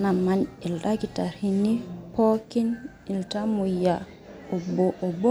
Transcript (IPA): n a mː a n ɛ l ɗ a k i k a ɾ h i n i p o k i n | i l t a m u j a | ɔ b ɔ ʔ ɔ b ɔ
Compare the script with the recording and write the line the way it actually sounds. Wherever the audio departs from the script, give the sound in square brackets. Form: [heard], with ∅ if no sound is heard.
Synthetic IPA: n a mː a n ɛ l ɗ a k i [t] a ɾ h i n i p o k i n | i l t a m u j a | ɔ b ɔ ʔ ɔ b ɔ

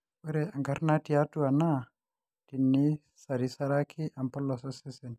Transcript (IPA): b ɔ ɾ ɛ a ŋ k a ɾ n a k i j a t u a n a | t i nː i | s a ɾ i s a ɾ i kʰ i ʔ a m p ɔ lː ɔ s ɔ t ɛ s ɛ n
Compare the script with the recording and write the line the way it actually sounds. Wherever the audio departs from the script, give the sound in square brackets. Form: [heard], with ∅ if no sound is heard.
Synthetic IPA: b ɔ ɾ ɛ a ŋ [ɡ] a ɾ n a [t] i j a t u a n a | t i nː i | s a ɾ i s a ɾ [a] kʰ i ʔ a m p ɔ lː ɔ s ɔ [s] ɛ s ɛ n

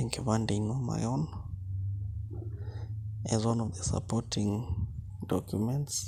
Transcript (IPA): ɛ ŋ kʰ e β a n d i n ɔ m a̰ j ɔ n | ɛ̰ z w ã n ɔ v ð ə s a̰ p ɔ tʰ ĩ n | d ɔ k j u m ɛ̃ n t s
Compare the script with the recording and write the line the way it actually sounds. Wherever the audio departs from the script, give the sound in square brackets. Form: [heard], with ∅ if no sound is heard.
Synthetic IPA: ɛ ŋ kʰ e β a n d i n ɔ m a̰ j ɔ n | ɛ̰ z w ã n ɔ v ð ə s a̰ p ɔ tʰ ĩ [ŋ] | d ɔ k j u m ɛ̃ n t s

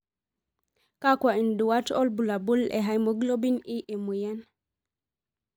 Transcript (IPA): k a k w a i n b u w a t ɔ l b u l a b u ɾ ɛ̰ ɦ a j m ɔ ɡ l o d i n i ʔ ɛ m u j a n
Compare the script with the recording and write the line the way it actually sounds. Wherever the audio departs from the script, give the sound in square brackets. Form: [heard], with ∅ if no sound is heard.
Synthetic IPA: k a k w a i n [d] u w a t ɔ l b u l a b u [l] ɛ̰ ɦ a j m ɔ ɡ l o [b] i n i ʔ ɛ m u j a n

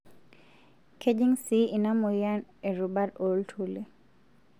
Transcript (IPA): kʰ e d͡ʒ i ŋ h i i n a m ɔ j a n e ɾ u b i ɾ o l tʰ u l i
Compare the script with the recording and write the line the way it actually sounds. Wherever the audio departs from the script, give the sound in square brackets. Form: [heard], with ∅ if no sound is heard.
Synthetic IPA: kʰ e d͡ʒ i ŋ [s] i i n a m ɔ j a n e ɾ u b [a] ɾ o l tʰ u l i

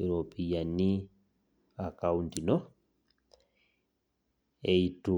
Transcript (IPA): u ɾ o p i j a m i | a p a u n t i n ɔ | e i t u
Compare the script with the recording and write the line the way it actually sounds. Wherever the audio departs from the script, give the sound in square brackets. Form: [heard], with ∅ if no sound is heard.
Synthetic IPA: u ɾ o p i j a [n] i | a [k] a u n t i n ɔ | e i t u

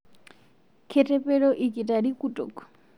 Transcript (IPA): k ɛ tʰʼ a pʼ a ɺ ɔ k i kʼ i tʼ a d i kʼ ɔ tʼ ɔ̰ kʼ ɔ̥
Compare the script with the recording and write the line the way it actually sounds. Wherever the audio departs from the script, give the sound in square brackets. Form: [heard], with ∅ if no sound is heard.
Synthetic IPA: [kʰ] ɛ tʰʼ [ɛ] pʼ [ɛ] ɺ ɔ [ʔ] i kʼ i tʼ a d i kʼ [u] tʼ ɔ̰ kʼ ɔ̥

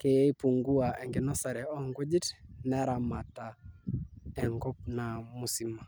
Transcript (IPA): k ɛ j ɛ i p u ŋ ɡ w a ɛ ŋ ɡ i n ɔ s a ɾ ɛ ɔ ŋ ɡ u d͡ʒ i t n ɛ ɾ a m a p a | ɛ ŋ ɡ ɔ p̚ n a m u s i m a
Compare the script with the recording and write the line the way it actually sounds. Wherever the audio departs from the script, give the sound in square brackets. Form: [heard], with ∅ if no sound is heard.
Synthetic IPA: k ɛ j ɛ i p u ŋ ɡ [u] a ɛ ŋ ɡ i n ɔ s a ɾ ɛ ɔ ŋ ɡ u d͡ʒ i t n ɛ ɾ a m a [t] a | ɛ ŋ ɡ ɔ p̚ n a m u s i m a

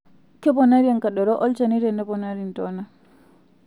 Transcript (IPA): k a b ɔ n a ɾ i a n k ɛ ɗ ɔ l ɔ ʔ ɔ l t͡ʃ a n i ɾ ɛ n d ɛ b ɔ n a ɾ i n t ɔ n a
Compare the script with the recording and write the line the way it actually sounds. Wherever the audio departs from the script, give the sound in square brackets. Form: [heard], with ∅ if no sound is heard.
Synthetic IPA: k [ɛ] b ɔ n a ɾ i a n k [a] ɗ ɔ [ɾ] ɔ ʔ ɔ l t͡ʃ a n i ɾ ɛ n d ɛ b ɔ n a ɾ i n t ɔ n a

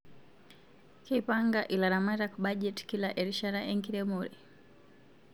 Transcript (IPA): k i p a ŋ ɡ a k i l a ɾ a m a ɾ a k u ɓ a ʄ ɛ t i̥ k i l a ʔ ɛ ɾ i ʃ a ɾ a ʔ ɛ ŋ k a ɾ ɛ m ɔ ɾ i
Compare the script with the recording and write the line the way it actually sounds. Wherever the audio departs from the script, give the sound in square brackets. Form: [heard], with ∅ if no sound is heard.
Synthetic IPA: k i p a ŋ ɡ a [ʔ] i l a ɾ a m a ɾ a k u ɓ a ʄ ɛ t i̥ k i l a ʔ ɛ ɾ i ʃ a ɾ a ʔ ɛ ŋ k [i] ɾ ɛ m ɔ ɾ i

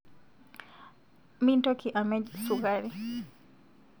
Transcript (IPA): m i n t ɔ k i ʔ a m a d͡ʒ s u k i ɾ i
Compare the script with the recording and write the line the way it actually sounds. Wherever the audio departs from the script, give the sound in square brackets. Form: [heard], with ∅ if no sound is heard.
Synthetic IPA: m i n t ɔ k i ʔ a m [ɛ] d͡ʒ s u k [a] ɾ i

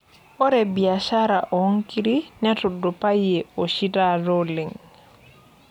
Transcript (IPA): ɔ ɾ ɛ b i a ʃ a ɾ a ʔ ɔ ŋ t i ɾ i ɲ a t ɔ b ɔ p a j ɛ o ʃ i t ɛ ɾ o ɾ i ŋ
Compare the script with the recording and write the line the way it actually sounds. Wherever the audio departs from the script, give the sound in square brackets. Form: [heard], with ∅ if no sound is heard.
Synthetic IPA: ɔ ɾ ɛ b i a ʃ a ɾ a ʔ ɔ ŋ [k] i ɾ i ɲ a t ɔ [d] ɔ p a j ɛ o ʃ i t [a] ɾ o [l] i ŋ

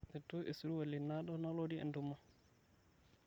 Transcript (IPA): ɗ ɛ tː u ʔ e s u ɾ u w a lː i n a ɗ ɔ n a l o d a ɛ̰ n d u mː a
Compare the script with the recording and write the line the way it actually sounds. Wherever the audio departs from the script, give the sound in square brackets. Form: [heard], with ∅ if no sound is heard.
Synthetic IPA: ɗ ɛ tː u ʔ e s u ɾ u w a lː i n a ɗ ɔ n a l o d [i] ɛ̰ n d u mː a

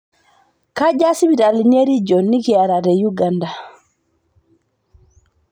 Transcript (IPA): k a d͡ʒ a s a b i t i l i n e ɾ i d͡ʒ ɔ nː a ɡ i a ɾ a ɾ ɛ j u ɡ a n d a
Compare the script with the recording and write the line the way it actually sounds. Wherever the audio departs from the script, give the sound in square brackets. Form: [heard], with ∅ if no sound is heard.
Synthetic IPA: k a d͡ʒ a s [i] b i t [a] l i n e ɾ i d͡ʒ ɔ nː [i] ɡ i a ɾ a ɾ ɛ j u ɡ a n d a

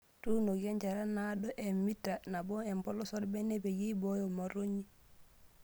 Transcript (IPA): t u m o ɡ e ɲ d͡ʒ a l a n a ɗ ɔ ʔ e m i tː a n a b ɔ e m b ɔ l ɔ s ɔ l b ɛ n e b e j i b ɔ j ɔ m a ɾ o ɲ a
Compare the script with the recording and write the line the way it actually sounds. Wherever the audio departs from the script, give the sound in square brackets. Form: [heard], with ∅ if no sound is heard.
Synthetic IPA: t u [n] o ɡ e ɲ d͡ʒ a [ɾ] a n a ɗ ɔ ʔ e m i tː a n a b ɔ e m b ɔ l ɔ s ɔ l b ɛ n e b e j i b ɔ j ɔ m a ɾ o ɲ [i]

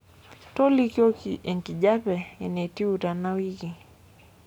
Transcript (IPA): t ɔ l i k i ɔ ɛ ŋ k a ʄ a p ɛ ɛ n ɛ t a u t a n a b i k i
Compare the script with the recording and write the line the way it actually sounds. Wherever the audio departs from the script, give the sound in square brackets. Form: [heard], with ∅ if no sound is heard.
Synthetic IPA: t ɔ l i k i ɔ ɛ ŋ k [i] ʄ a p ɛ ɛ n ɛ t [i] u t a n a [w] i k i

